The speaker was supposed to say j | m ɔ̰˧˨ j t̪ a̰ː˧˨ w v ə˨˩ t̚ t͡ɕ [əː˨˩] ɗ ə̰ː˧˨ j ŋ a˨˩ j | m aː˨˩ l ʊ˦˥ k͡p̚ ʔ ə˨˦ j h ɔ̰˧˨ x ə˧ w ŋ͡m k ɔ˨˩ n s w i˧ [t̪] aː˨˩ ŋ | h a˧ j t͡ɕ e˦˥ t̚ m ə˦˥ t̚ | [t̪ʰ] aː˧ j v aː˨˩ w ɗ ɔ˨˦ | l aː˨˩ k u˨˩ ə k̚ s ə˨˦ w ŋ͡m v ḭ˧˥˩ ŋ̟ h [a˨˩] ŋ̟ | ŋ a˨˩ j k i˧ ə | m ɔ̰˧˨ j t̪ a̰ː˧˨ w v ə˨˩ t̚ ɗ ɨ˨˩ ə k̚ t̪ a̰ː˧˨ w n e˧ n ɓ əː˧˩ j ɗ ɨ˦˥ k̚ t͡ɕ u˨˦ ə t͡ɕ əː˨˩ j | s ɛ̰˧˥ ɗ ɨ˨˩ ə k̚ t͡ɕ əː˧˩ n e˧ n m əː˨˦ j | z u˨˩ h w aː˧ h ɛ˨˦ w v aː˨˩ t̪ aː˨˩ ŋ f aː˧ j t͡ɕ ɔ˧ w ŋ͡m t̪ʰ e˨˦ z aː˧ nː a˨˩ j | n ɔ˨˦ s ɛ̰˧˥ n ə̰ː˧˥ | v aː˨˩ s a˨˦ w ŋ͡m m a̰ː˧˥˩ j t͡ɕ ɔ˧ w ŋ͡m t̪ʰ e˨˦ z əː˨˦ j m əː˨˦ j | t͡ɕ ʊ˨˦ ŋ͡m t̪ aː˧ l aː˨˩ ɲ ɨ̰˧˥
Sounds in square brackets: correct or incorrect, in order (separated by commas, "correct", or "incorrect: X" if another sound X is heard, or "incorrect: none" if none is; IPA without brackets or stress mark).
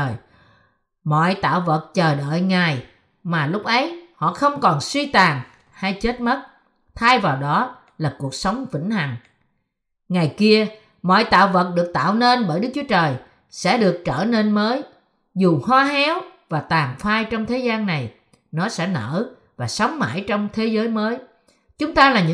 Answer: correct, correct, correct, correct